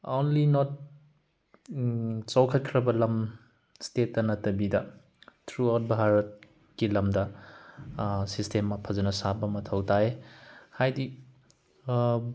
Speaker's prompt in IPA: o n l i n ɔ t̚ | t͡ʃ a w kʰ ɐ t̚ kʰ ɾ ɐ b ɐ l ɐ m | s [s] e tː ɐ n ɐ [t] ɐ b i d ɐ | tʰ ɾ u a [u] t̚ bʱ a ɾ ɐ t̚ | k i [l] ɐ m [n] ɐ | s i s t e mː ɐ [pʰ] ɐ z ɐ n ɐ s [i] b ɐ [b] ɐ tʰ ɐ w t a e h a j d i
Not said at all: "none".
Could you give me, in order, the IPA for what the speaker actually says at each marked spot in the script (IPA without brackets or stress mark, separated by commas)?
t, t, w, l, d, pʰ, a, m